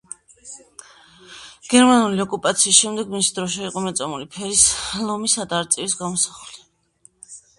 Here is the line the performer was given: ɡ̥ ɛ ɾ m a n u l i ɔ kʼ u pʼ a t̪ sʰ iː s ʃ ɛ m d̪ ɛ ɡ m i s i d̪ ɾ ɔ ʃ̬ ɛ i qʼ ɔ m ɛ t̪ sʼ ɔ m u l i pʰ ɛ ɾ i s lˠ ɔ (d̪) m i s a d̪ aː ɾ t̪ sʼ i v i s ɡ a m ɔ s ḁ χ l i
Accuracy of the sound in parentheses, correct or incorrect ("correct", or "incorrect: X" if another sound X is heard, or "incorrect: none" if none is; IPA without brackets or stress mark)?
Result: incorrect: none